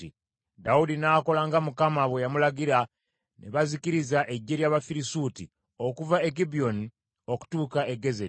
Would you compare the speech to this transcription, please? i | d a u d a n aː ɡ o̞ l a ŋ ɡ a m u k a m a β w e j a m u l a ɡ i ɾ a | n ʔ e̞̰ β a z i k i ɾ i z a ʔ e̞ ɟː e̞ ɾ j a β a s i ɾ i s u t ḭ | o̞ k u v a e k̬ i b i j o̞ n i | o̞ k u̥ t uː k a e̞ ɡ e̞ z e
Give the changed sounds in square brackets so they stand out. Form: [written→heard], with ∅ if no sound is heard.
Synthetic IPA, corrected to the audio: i | d a u d [a→i] n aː [ɡ→k] o̞ l a ŋ ɡ a m u k a m a β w e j a m u l a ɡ i ɾ a | n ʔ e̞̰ β a z i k i ɾ i z a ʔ e̞ ɟː e̞ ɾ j a β a [s→f] i ɾ i s u t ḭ | o̞ k u v a e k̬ i b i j o̞ n i | o̞ k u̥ t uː k a e̞ ɡ e̞ z e

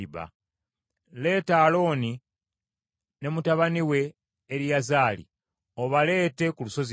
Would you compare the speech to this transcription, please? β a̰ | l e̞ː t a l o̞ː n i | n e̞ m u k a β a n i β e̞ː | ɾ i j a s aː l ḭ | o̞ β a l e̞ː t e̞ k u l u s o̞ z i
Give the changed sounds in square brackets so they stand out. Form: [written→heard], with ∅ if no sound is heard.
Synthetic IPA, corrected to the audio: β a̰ | l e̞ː t a l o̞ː n i | n e̞ m u [k→t] a β a n i [β→w] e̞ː | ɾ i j a [s→z] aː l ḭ | o̞ β a l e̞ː t e̞ k u l u s o̞ z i

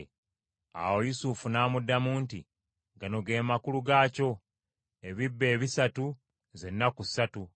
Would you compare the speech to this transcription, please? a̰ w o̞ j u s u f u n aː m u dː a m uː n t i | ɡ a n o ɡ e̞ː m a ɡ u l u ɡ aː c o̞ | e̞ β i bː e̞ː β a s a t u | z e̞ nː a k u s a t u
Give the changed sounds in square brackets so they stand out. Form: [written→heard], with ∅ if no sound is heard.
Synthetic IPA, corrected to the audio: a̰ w o̞ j u s u f u n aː m u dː a m uː n t i | ɡ a n o ɡ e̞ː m a [ɡ→k] u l u ɡ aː c o̞ | e̞ β i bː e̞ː β [a→i] s a t u | z e̞ nː a k u s a t u

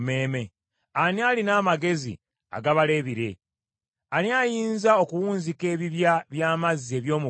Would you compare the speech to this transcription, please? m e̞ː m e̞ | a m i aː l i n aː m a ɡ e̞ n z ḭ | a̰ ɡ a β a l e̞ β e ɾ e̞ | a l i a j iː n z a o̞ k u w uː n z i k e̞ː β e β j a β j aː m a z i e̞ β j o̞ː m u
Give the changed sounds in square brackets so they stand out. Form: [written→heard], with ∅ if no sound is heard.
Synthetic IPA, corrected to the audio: m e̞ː m e̞ | a [m→n] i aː l i n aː m a ɡ e̞ [n→∅] z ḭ | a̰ ɡ a β a l e̞ β [e→i] ɾ e̞ | a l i a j iː n z a o̞ k u w uː n z i k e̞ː β [e→i] β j a β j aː m a z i e̞ β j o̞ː m u

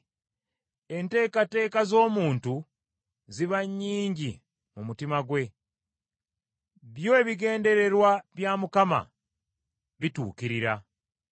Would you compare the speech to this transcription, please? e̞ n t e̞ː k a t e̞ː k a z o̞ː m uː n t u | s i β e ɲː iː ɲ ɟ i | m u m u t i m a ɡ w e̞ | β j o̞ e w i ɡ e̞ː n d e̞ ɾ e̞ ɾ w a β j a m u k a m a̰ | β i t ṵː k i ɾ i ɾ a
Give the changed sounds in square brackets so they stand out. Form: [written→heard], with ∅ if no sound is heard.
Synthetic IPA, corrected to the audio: e̞ n t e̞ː k a t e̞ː k a z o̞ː m uː n t u | [s→z] i β [e→a] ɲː iː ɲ ɟ i | m u m u t i m a ɡ w e̞ | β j o̞ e [w→β] i ɡ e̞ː n d e̞ ɾ e̞ ɾ w a β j a m u k a m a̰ | β i t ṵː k i ɾ i ɾ a

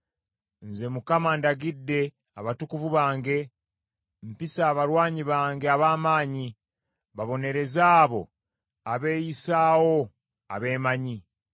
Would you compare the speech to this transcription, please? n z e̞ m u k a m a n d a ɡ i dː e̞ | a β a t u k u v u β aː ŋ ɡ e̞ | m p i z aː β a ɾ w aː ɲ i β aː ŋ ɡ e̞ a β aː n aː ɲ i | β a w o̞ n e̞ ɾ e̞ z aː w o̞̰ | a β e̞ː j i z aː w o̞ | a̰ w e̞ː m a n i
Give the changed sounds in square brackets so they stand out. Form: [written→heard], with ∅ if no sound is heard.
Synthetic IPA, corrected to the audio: n z e̞ m u k a m a n d a ɡ i dː e̞ | a β a t u k u v u β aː ŋ ɡ e̞ | m p i [z→s] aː β a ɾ w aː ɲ i β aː ŋ ɡ e̞ a β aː [n→m] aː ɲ i | β a [w→β] o̞ n e̞ ɾ e̞ z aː [w→β] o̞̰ | a β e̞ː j i [z→s] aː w o̞ | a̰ [w→β] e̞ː m a [n→ɲ] i

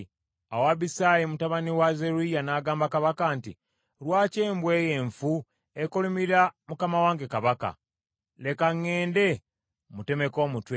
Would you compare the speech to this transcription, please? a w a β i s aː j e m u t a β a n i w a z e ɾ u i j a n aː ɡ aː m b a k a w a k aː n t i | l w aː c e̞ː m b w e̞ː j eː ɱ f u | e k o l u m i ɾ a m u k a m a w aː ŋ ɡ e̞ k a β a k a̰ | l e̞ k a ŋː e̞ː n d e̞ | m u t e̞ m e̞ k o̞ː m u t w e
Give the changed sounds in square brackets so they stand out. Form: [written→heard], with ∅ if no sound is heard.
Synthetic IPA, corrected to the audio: a w a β i s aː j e m u t a β a n i w a z e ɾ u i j a n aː ɡ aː m b a k a [w→β] a k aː n t i | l w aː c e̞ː m b w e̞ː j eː ɱ f u | e k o l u m i ɾ a m u k a m a w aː ŋ ɡ e̞ k a β a k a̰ | l e̞ k a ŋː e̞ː n d e̞ | m u t e̞ m e̞ k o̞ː m u t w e

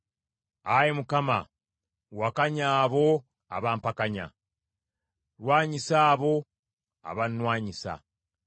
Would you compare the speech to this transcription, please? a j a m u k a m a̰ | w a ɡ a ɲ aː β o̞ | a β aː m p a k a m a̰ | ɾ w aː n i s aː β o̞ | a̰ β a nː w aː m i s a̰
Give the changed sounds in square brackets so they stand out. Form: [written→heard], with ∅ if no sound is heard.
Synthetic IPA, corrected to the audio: a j [a→e] m u k a m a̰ | w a [ɡ→k] a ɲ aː β o̞ | a β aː m p a k a [m→ɲ] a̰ | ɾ w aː [n→ɲ] i s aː β o̞ | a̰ β a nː w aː [m→ɲ] i s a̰

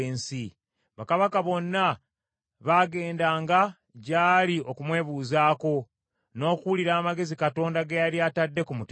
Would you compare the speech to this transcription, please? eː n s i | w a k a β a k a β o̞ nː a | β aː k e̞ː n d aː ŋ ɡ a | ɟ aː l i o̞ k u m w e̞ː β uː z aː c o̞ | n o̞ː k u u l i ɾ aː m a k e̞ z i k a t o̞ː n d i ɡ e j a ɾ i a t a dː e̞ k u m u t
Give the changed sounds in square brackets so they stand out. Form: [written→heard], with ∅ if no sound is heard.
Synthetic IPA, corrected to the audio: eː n s i | [w→β] a k a β a k a β o̞ nː a | β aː [k→ɡ] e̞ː n d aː ŋ ɡ a | ɟ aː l i o̞ k u m w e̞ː β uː z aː [c→k] o̞ | n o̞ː k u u l i ɾ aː m a [k→ɡ] e̞ z i k a t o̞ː n d [i→a] ɡ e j a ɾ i a t a dː e̞ k u m u t

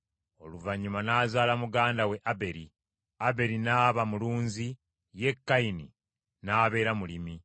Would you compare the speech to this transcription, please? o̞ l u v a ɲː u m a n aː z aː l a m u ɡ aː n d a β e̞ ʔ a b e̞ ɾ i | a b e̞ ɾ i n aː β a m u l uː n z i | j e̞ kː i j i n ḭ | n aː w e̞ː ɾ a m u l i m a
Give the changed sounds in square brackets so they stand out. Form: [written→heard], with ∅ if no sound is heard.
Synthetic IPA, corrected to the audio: o̞ l u v a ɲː u m a n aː z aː l a m u ɡ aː n d a [β→w] e̞ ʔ a b e̞ ɾ i | a b e̞ ɾ i n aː β a m u l uː n z i | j e̞ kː [i→a] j i n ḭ | n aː [w→β] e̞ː ɾ a m u l i m [a→i]

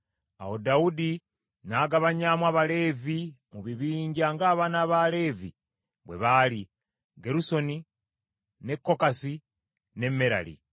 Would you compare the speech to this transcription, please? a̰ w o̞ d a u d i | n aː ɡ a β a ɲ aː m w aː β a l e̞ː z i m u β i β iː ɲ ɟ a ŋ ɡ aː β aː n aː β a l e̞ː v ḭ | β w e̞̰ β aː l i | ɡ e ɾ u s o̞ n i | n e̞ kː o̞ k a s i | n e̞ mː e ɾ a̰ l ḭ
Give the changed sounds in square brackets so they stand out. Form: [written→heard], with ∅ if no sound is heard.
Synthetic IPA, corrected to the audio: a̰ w o̞ d a u d i | n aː ɡ a β a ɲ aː m w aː β a l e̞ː [z→v] i m u β i β iː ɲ ɟ a ŋ ɡ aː β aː n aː β a l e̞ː v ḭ | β w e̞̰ β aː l i | ɡ e ɾ u s o̞ n i | n e̞ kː o̞ k a s i | n e̞ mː e ɾ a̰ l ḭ

